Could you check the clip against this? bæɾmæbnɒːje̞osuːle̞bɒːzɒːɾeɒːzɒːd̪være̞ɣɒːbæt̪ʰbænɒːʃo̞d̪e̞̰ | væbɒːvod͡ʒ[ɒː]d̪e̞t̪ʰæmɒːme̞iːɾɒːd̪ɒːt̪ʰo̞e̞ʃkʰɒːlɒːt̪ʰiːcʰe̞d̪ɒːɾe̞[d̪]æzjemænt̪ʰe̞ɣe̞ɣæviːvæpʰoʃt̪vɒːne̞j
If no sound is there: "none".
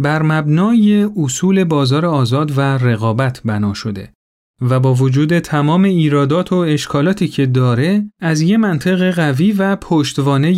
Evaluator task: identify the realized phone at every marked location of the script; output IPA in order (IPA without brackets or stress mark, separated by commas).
uː, none